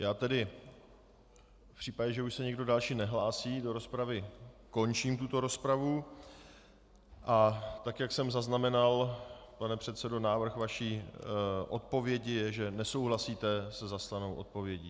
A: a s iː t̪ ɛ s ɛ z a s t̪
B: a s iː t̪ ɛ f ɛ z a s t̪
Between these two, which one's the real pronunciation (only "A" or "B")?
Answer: A